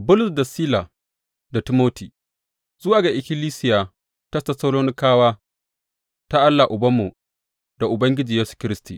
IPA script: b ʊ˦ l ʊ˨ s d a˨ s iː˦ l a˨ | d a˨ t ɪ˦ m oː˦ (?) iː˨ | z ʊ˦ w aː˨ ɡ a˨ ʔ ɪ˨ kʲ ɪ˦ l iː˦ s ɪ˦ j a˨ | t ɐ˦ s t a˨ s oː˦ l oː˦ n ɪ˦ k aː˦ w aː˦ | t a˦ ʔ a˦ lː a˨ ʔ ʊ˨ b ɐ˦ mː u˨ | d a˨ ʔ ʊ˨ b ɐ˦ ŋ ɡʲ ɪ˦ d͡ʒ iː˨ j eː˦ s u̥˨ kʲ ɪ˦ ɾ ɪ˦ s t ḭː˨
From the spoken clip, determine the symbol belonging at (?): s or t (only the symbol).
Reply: t